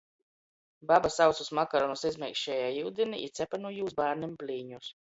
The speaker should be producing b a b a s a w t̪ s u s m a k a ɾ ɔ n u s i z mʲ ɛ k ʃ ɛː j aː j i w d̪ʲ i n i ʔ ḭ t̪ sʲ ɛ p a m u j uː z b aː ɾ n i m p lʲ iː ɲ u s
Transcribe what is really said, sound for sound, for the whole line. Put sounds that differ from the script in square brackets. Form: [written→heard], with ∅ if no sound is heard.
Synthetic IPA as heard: b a b a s a w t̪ s u s m a k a ɾ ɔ n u s i z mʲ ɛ k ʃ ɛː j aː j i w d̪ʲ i n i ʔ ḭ t̪ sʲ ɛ p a [m→n] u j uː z b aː ɾ n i m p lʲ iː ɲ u s